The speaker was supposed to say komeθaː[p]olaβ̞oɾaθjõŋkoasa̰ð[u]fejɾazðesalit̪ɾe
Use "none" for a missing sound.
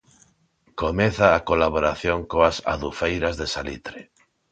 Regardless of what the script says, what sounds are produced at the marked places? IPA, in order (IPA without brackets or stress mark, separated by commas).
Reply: k, u